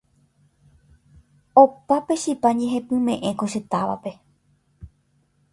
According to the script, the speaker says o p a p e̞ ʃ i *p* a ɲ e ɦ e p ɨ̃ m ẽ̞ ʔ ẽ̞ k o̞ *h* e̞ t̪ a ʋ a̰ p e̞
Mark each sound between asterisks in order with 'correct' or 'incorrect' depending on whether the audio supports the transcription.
correct, incorrect

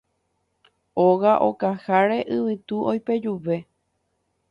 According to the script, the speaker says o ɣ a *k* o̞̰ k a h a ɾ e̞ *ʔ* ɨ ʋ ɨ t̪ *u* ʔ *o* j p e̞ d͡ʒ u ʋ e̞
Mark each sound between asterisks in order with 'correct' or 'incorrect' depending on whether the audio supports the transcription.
incorrect, correct, correct, correct

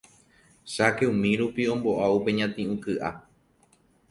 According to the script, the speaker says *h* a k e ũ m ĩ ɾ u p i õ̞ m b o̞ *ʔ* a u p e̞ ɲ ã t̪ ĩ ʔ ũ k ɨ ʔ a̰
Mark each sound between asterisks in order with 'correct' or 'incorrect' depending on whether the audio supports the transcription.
incorrect, correct

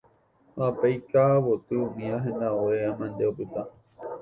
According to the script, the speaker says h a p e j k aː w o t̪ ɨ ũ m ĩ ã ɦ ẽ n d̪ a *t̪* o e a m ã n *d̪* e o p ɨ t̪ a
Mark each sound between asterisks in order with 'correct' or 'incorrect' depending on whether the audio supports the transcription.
incorrect, correct

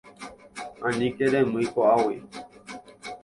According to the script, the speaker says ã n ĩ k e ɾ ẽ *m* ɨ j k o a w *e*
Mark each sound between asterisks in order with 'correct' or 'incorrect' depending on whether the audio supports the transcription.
correct, incorrect

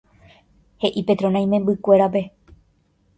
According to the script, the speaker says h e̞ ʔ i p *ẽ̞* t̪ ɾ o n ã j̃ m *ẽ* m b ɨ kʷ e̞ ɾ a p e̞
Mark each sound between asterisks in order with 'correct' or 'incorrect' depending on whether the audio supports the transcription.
incorrect, correct

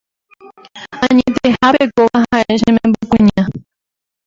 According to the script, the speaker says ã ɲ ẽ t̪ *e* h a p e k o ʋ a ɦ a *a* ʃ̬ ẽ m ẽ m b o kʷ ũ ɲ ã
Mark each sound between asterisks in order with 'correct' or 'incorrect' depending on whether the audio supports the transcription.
correct, incorrect

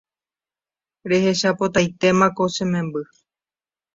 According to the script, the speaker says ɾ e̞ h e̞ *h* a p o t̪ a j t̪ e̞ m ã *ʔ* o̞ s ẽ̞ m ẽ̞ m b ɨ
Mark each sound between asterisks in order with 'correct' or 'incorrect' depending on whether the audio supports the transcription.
incorrect, incorrect

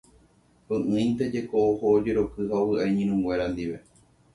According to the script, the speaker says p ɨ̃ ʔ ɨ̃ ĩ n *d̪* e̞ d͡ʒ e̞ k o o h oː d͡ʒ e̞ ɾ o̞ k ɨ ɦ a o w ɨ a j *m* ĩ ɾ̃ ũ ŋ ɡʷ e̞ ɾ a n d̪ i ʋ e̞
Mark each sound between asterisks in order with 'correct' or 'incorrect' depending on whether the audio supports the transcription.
incorrect, incorrect

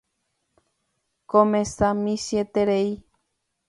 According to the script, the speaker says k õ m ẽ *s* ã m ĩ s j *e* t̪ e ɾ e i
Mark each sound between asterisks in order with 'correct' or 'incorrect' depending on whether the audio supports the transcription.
correct, correct

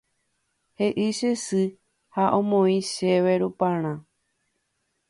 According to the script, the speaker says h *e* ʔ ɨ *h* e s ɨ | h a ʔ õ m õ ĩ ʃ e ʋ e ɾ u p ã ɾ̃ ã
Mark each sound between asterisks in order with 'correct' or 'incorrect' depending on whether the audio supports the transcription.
correct, incorrect

